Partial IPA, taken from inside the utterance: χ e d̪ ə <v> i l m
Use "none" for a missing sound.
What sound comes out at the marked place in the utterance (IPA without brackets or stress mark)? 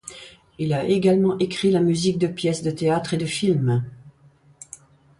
f